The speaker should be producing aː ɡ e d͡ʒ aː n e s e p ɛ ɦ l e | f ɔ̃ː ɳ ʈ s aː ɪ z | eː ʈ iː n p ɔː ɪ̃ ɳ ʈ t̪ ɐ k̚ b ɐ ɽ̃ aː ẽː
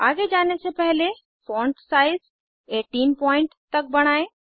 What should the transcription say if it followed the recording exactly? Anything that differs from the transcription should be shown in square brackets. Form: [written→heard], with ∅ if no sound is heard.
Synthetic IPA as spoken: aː ɡ e d͡ʒ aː n e s e p ɛ ɦ l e | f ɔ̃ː ɳ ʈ s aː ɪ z | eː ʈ iː n p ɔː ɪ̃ ɳ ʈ t̪ ɐ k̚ b ɐ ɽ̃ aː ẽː